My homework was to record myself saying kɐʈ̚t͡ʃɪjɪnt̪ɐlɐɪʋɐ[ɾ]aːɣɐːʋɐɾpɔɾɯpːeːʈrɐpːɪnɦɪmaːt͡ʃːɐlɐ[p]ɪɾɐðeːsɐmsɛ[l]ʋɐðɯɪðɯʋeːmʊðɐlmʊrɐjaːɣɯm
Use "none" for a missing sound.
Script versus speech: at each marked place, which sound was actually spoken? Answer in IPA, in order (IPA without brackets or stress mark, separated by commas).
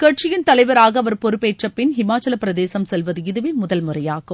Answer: ɾ, p, l